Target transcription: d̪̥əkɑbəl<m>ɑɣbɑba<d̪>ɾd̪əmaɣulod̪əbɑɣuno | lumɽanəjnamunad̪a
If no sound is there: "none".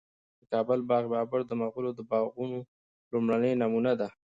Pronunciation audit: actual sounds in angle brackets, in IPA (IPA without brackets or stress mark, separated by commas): b, none